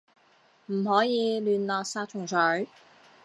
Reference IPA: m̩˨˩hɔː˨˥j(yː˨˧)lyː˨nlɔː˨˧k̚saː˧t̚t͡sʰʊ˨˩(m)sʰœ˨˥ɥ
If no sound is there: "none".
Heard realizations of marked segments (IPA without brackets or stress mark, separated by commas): iː˨˧, ŋ